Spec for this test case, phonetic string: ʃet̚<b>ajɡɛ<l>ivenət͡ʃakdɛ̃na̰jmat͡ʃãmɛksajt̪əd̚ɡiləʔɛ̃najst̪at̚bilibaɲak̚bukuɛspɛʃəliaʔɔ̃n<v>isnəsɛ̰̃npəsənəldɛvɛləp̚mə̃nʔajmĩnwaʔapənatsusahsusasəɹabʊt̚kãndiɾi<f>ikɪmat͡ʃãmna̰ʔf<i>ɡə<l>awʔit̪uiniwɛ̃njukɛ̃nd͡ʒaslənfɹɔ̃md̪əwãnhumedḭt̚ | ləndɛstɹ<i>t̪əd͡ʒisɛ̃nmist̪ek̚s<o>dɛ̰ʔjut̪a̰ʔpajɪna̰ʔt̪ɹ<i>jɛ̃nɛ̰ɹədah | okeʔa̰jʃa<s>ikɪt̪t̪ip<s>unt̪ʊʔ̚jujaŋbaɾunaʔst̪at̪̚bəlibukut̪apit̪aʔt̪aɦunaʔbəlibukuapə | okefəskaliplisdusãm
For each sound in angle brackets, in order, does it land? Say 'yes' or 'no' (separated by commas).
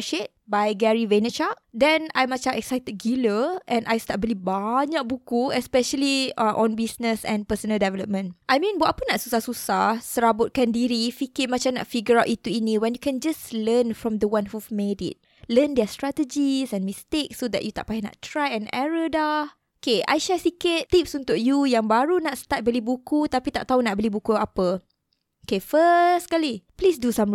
yes, no, no, yes, yes, no, no, yes, no, yes, yes